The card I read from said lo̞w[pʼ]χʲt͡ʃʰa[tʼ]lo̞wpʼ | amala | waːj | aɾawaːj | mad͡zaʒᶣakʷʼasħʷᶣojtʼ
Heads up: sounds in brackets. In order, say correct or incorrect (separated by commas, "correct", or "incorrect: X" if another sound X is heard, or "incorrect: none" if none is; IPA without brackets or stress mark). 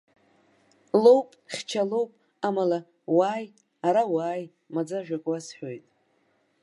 correct, incorrect: none